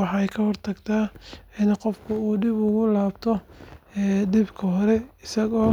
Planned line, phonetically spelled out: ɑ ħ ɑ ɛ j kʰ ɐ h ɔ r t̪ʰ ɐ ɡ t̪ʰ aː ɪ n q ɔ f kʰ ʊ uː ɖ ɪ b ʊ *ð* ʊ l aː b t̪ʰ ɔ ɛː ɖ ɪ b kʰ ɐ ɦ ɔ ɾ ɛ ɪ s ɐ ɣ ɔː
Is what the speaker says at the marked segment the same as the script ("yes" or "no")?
no